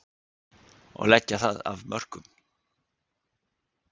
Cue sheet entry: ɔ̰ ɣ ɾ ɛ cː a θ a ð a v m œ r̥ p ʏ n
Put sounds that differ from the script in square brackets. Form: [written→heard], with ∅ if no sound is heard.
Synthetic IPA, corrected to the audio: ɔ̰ ɣ [ɾ→l] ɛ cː a θ a ð a v m œ r̥ [p→k] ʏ [n→m]